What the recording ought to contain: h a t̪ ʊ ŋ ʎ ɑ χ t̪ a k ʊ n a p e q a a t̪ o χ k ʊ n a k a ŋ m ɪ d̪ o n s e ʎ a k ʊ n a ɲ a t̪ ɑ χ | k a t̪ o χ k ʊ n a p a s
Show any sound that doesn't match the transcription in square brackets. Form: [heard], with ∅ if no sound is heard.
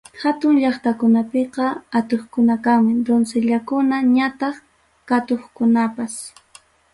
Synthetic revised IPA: h a t̪ ʊ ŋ ʎ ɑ χ t̪ a k ʊ n a p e q [ɑ] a t̪ o χ k ʊ n a k a ŋ m ɪ d̪ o n s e ʎ a k ʊ n a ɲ a t̪ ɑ χ | k a t̪ o χ k ʊ n a p a s